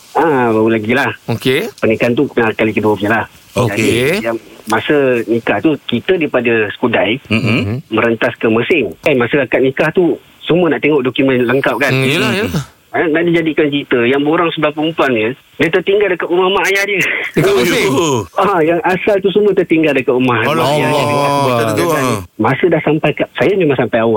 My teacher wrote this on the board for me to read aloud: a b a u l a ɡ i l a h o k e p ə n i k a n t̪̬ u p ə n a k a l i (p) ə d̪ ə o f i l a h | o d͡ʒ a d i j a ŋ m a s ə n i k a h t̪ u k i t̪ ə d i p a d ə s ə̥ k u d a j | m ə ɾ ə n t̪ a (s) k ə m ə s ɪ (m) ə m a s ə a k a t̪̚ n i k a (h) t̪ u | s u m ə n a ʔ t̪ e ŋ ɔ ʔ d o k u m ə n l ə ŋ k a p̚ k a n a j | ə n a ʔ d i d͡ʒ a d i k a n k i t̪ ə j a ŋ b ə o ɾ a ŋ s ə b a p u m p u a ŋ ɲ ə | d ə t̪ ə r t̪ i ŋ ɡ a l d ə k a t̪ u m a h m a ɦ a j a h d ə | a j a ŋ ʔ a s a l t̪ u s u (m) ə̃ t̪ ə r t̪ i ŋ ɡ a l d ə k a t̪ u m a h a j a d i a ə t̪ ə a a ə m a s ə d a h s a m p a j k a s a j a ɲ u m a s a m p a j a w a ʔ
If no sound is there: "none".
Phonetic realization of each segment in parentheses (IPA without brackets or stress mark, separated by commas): k, s, ŋ, h, m